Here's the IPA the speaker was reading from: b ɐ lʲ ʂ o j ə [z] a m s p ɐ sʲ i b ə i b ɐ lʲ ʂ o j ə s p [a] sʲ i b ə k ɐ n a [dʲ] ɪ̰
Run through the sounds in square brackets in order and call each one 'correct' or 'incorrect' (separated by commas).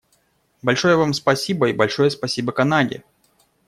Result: incorrect, incorrect, correct